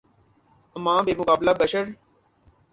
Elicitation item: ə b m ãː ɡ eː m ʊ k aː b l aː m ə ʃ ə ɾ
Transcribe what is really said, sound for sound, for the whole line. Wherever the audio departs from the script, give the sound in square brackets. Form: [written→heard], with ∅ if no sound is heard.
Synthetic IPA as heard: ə [b→∅] m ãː [ɡ→b] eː m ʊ k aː b l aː [m→b] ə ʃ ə ɾ